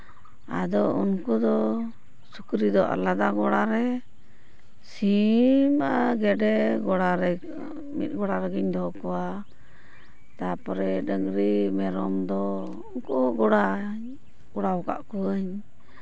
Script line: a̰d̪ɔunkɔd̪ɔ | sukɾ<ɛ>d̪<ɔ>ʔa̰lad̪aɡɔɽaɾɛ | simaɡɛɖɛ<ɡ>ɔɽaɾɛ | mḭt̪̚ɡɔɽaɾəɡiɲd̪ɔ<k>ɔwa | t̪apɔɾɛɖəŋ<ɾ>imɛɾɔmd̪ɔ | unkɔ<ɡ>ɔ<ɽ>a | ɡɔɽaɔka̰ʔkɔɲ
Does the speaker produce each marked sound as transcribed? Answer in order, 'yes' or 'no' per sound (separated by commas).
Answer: no, yes, yes, yes, yes, yes, yes